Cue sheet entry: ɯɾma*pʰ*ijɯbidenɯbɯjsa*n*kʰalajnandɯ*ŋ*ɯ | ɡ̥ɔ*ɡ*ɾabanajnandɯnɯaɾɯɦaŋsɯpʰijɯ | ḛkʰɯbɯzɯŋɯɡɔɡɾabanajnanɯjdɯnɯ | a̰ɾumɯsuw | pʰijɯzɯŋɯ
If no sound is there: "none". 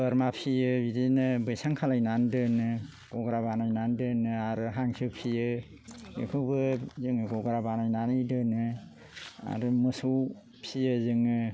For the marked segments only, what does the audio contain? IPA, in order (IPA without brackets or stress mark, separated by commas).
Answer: pʰ, ŋ, n, ɡ